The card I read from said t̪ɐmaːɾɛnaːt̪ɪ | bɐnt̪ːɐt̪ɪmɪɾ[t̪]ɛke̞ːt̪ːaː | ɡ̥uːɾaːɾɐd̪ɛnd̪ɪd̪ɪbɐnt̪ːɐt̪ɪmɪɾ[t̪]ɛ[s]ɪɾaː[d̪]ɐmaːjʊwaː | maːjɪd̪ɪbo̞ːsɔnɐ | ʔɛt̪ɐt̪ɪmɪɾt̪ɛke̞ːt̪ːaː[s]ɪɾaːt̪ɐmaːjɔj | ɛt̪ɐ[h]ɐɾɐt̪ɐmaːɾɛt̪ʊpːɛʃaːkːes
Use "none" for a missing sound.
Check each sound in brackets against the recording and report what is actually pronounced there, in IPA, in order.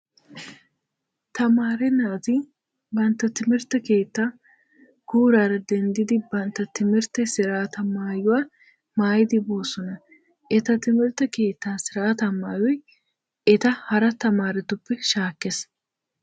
t̪, t̪, s, t̪, s, h

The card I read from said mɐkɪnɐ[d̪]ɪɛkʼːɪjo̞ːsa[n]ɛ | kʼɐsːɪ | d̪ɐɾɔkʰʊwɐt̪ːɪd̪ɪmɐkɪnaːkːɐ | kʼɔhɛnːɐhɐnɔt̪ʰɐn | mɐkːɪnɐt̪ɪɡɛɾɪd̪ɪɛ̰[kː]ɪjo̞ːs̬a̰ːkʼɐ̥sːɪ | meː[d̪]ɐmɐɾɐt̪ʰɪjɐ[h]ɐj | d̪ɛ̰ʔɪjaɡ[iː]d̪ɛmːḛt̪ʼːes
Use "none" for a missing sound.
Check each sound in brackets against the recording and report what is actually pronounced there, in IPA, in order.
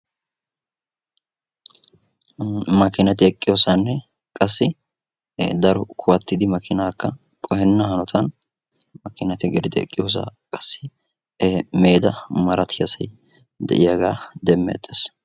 t̪, nː, kʼː, d̪, s, aː

